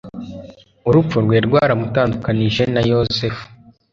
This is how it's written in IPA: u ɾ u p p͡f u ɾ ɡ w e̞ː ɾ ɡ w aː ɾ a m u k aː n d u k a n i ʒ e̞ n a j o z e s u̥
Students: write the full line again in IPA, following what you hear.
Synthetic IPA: u ɾ u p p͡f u ɾ ɡ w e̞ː ɾ ɡ w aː ɾ a m u t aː n d u k a n i ʒ e̞ n a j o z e f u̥